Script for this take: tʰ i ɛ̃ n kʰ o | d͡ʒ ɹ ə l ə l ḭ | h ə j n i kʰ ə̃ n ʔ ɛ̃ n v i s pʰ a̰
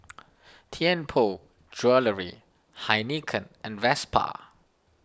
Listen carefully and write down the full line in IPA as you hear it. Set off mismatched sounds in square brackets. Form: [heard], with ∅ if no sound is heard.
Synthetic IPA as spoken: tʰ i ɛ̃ n [pʰ] o | d͡ʒ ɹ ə l ə [ɹ] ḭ | h [a] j n i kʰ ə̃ n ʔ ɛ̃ n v [ɛ] s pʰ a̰